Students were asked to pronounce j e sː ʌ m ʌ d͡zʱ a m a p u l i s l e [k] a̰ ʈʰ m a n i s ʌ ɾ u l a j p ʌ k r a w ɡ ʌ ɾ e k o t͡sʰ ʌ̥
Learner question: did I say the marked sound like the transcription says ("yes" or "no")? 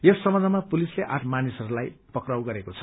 no